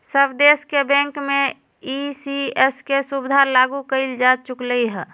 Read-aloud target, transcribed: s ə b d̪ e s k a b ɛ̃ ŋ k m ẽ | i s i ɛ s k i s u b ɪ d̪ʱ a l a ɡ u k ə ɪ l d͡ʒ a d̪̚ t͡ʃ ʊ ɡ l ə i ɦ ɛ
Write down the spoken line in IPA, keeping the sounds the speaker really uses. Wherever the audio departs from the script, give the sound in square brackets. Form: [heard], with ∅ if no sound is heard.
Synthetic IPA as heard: s ə b d̪ e s k [e] b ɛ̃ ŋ k m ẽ | i s i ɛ s k [e] s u b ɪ d̪ʱ a l a ɡ u k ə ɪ l d͡ʒ a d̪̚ t͡ʃ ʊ [k] l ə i ɦ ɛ